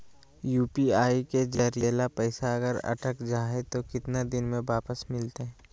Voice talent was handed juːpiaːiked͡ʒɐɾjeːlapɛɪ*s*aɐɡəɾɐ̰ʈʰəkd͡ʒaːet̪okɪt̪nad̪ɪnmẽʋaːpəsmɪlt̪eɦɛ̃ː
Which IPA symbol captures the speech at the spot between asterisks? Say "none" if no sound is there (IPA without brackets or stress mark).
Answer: s